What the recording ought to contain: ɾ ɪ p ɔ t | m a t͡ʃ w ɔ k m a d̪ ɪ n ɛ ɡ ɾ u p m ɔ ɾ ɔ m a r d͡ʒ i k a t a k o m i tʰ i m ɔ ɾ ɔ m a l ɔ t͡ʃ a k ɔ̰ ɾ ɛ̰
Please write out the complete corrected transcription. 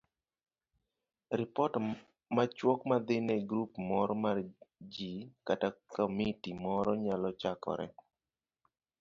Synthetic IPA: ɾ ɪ p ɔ t | m a t͡ʃ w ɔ k m a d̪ ɪ n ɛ ɡ ɾ u p m ɔ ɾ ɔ m a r d͡ʒ i k a t a k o m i t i m ɔ ɾ ɔ ɲ a l ɔ t͡ʃ a k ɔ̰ ɾ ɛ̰